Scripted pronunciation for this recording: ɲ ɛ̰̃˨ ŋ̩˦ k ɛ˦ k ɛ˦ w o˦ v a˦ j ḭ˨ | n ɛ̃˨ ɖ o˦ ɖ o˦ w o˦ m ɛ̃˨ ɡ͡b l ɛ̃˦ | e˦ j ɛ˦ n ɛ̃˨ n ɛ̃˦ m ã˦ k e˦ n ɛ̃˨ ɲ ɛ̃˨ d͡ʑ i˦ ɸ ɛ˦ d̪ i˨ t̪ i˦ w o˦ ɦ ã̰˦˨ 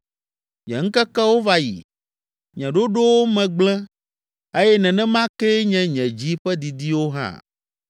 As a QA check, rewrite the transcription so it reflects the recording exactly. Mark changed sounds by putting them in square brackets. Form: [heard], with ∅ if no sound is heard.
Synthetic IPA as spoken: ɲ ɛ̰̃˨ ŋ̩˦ k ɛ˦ k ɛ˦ w o˦ v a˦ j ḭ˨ | [ɲ] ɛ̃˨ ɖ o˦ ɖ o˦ w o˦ m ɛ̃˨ ɡ͡b l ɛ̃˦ | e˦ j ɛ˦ n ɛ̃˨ n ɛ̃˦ m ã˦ k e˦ [ɲ] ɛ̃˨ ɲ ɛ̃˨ d͡ʑ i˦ ɸ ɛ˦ d̪ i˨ [d̪] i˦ w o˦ ɦ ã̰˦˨